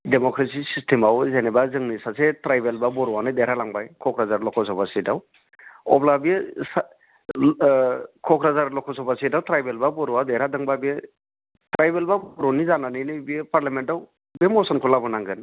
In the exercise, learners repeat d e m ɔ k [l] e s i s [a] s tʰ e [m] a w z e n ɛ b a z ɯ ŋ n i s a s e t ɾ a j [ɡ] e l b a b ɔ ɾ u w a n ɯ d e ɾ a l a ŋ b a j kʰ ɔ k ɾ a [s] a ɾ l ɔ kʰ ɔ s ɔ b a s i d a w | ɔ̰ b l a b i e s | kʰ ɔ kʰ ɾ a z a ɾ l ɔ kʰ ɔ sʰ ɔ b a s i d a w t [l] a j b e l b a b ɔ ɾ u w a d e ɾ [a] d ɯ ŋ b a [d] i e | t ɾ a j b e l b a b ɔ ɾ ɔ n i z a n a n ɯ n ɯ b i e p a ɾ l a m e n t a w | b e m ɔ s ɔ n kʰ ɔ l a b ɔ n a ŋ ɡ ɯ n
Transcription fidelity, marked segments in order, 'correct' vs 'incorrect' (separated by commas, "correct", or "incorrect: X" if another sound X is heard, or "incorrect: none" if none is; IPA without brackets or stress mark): incorrect: ɾ, incorrect: i, correct, incorrect: b, incorrect: z, incorrect: ɾ, correct, incorrect: b